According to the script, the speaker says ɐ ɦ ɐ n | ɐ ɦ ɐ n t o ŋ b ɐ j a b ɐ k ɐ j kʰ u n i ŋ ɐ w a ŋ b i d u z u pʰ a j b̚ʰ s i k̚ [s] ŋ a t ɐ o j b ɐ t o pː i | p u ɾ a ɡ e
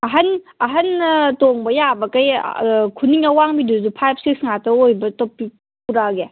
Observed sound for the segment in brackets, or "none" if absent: s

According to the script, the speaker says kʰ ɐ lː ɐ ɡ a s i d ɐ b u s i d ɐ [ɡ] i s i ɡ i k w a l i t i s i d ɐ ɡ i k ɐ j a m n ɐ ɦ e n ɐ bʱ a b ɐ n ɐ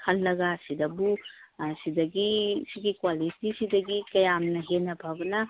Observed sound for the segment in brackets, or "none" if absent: ɡ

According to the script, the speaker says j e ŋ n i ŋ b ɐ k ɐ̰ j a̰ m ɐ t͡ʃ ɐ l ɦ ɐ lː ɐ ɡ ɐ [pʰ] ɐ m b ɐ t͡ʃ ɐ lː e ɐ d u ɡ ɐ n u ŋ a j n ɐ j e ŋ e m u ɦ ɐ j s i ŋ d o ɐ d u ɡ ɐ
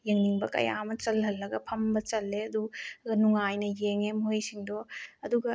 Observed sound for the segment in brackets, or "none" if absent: pʰ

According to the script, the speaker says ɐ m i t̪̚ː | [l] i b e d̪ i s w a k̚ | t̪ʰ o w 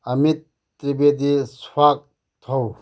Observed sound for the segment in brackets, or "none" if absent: ɾ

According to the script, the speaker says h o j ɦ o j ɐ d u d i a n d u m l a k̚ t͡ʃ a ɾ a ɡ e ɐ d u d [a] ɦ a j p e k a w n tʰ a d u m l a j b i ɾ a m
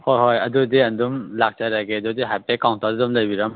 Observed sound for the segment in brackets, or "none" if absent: i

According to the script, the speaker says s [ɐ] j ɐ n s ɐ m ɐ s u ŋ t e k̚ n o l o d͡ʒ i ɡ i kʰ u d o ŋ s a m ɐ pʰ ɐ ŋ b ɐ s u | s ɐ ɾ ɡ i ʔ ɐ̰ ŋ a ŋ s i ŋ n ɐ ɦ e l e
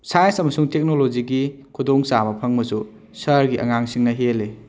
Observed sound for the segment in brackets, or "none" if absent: a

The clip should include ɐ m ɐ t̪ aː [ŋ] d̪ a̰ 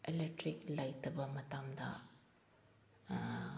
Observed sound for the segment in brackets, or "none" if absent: m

